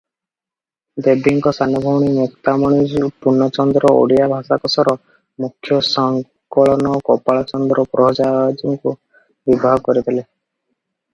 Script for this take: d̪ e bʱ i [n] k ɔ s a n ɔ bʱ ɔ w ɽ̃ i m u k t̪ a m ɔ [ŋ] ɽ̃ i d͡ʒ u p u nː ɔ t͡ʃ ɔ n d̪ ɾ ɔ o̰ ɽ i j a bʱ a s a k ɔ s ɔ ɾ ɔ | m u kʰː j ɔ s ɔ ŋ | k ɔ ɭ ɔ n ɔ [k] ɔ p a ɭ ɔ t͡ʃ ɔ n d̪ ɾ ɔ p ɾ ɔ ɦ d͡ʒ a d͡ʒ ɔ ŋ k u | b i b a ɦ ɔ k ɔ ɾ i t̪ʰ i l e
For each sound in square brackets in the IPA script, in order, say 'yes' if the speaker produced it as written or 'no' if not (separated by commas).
no, no, yes